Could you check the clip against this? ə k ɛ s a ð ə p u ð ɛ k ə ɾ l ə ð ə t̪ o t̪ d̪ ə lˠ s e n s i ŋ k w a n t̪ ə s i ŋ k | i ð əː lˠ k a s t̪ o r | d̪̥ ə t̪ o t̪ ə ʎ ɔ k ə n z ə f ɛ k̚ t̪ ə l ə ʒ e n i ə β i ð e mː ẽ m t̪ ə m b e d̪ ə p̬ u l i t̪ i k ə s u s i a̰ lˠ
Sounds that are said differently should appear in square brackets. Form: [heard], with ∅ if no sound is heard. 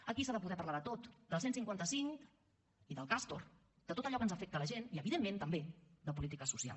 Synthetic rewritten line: ə k [i] s a ð ə p u ð ɛ [p] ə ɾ l [a] ð ə t̪ o t̪ d̪ ə lˠ s e n s i ŋ k w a n t̪ ə s i ŋ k | i ð [ə] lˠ k a s t̪ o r | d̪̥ ə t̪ o t̪ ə ʎ ɔ k ə n z ə f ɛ k̚ t̪ ə l ə ʒ e n i ə β i ð e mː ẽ [n] t̪ ə m b e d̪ ə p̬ u l i t̪ i k ə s u s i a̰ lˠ